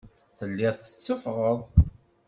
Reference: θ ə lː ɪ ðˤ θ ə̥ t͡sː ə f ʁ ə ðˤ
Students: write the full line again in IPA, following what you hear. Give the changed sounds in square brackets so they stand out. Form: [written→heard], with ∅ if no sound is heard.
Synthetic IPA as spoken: θ ə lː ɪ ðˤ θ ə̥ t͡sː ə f ʁ ə ðˤ